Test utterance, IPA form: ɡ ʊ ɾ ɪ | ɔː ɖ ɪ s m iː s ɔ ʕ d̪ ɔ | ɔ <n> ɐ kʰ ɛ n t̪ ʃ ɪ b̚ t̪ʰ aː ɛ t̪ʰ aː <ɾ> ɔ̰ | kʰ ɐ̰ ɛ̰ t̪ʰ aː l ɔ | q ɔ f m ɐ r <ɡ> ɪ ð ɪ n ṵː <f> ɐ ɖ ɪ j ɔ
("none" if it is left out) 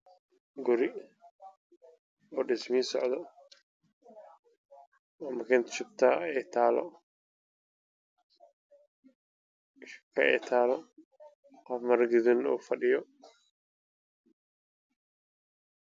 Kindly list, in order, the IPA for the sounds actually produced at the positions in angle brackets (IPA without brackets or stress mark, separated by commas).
m, l, ɡ, f